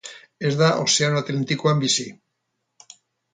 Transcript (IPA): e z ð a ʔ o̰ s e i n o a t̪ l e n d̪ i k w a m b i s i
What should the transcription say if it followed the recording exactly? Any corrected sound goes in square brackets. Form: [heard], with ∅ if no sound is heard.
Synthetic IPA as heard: e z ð a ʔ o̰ s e [a] n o a t̪ l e n [t̪] i k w a m b i s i